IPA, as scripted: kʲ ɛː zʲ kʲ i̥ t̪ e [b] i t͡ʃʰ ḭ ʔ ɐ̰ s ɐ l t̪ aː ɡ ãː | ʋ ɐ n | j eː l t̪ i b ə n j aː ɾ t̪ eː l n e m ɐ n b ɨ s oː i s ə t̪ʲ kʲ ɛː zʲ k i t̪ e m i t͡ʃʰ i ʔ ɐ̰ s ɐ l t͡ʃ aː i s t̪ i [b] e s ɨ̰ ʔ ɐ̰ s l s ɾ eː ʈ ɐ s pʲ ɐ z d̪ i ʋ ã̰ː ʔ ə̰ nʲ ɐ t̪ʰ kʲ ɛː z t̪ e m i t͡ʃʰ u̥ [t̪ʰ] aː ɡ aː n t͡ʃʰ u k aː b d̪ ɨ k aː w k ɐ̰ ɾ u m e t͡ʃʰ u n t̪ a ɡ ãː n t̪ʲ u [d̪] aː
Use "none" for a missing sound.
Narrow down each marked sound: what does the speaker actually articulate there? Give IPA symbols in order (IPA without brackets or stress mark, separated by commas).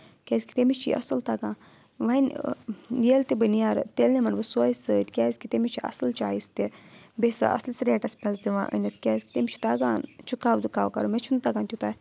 m, b, t̪, t̪